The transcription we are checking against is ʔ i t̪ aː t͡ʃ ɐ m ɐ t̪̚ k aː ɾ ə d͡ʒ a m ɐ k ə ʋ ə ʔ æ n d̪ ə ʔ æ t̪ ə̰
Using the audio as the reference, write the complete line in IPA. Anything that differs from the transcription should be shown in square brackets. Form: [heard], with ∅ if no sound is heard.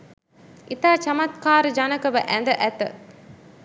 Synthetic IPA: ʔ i t̪ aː t͡ʃ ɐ m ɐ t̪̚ k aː ɾ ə d͡ʒ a [n] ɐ k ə ʋ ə ʔ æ n d̪ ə ʔ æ t̪ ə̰